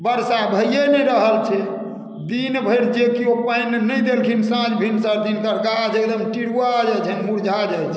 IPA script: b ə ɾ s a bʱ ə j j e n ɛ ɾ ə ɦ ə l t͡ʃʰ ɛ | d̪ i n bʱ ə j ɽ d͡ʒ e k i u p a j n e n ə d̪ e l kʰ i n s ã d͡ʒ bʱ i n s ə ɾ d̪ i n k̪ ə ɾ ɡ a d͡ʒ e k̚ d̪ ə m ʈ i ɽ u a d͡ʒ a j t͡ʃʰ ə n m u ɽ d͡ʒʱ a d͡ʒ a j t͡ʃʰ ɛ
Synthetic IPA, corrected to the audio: b ə ɾ s a bʱ ə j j e n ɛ ɾ ə ɦ ə l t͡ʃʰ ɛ | d̪ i n bʱ ə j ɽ d͡ʒ e k i o p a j n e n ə d̪ e l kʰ i n s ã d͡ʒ bʱ i n s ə ɾ d̪ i n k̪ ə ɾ ɡ a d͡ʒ e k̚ d̪ ə m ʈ i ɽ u a d͡ʒ a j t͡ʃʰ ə n m u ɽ d͡ʒʱ a d͡ʒ a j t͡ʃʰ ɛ